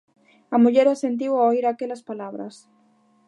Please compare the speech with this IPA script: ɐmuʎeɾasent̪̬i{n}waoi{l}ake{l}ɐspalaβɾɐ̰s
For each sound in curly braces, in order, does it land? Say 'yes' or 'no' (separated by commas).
no, no, yes